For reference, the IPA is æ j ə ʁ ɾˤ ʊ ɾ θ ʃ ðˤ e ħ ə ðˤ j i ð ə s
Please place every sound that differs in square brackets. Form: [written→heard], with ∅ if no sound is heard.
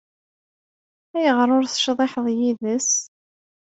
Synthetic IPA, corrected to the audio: æ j ə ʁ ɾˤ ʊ ɾ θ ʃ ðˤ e ħ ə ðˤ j i ð ə s